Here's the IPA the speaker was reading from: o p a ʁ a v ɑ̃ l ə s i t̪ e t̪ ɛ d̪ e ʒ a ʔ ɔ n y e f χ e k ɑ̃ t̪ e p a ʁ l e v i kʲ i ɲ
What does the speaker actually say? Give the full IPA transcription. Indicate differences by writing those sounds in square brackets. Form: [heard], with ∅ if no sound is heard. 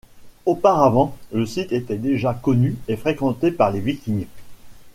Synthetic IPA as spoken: o p a ʁ a v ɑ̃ l ə s i t̪ e t̪ ɛ d̪ e ʒ a [k] ɔ n y e f χ e k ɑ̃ t̪ e p a ʁ l e v i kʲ i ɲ

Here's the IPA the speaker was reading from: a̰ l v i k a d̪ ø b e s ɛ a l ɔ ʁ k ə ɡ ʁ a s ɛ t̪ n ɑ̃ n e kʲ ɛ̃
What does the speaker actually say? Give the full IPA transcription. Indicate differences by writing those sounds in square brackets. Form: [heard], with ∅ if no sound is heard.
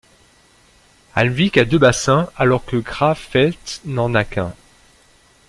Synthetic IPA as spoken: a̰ l v i k a d̪ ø b [a] s [ɛ̃] a l ɔ ʁ k ə ɡ ʁ a [f] ɛ t̪ n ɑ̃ n [a] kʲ ɛ̃

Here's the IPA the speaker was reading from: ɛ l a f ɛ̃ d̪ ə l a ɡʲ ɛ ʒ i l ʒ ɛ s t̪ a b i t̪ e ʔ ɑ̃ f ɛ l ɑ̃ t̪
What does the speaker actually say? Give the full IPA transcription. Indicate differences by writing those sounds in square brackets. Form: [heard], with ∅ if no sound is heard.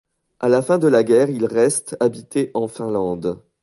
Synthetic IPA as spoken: [a] l a f ɛ̃ d̪ ə l a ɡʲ ɛ [ʁ] i l [ʁ] ɛ s t̪ a b i t̪ e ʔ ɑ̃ f [ɛ̃] l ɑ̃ [d̪]

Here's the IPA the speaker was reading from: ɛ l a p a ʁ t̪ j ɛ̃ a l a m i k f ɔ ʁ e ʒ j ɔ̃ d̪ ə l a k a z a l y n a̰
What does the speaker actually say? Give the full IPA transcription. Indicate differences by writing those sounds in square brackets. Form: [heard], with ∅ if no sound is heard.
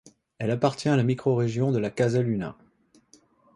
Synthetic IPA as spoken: ɛ l a p a ʁ t̪ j ɛ̃ a l a m i k [χ] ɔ ʁ e ʒ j ɔ̃ d̪ ə l a k a z a l y n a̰

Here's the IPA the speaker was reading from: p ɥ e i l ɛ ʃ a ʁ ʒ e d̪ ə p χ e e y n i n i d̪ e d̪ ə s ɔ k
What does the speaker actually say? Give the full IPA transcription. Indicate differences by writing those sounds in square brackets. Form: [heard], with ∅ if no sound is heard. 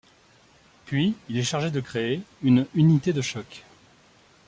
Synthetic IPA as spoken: p ɥ [i] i l ɛ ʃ a ʁ ʒ e d̪ ə [k] χ e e y n [y] n i [t̪] e d̪ ə [ʃ] ɔ k

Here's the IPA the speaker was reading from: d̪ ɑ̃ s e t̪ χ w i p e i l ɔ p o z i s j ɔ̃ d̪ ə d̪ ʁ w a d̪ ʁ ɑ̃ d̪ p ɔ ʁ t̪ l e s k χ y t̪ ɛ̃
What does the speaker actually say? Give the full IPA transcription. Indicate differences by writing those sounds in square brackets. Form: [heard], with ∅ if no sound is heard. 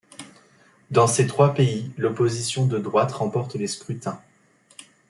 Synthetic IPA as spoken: d̪ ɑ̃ s e t̪ χ w [a] p e i l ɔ p o z i s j ɔ̃ d̪ ə d̪ ʁ w a [t̪] ʁ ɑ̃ [∅] p ɔ ʁ t̪ l e s k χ y t̪ ɛ̃

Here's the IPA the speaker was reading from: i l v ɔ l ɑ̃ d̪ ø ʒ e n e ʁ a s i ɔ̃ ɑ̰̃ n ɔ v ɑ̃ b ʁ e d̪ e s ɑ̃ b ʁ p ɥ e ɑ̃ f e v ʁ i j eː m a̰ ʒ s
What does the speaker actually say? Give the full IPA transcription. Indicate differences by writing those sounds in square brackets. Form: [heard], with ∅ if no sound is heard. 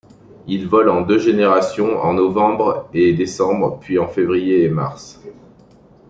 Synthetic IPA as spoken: i l v ɔ l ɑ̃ d̪ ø ʒ e n e ʁ a s [j] ɔ̃ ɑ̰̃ n ɔ v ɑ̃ b ʁ e d̪ e s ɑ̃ b ʁ p ɥ [i] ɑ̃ f e v ʁ i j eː m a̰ [ʁ] s

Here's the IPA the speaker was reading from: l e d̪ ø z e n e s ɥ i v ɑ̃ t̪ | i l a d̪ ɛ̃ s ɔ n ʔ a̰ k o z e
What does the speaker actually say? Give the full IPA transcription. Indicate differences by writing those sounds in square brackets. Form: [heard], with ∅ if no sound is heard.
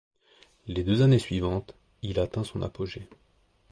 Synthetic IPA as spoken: l e d̪ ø z [a] n e s ɥ i v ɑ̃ t̪ | i l a [t̪] ɛ̃ s [ɔ̃] n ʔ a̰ [p] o [ʒ] e

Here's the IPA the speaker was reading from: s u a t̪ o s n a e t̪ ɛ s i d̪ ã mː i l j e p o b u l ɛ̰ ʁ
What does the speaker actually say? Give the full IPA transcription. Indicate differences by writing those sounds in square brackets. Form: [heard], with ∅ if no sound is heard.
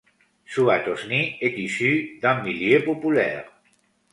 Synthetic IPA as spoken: s u a t̪ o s n [i] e t̪ [i] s [y] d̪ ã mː i l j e p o [p] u l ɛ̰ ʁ

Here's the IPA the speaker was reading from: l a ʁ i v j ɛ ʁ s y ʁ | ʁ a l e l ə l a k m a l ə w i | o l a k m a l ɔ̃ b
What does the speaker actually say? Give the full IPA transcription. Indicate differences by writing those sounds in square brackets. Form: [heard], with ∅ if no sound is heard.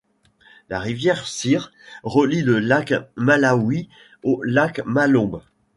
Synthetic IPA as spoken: l a ʁ i v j ɛ ʁ s [i] ʁ | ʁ [ə] l [i] l ə l a k m a l [a] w i | o l a k m a l ɔ̃ b

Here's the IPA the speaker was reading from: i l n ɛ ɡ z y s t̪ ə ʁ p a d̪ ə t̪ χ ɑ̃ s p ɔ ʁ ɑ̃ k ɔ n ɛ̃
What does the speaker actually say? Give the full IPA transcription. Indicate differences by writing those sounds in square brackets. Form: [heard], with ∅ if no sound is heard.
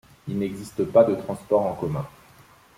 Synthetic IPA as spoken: i l n ɛ ɡ z [i] s t̪ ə [∅] p a d̪ ə t̪ χ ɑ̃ s p ɔ ʁ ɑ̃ k ɔ [m] ɛ̃

